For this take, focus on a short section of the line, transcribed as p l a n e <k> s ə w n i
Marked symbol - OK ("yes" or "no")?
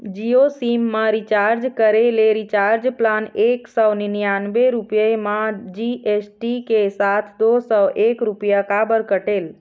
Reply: yes